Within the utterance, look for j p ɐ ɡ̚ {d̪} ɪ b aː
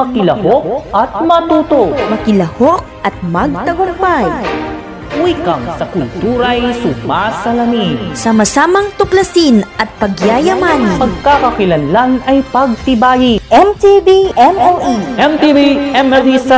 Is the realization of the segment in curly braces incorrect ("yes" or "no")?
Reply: yes